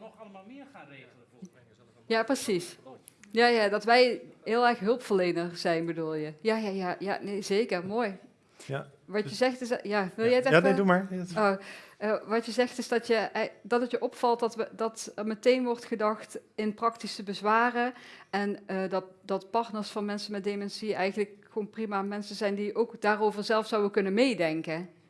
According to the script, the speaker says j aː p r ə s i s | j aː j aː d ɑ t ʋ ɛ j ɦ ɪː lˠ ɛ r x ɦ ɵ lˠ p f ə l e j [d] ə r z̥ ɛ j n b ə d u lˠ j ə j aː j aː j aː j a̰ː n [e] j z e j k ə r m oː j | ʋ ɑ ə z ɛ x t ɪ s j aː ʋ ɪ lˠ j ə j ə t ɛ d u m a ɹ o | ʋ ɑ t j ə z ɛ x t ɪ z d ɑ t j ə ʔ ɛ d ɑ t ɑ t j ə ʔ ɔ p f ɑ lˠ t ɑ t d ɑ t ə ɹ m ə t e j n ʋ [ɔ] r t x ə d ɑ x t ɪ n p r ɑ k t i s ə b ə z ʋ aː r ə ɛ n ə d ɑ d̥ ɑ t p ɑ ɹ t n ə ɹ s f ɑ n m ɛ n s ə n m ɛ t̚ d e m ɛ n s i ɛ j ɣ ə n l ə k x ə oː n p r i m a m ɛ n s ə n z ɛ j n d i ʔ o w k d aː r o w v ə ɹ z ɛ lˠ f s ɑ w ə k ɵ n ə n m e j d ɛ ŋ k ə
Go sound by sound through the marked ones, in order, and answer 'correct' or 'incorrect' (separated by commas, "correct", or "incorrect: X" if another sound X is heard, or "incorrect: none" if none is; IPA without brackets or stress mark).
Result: incorrect: n, correct, correct